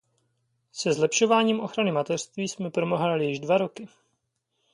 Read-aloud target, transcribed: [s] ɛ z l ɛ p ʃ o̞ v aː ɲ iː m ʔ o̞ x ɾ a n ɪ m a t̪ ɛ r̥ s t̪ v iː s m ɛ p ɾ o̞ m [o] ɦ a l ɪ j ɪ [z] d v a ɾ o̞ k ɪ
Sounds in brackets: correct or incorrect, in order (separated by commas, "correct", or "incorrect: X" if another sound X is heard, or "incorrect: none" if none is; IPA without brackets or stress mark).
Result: correct, correct, incorrect: ʒ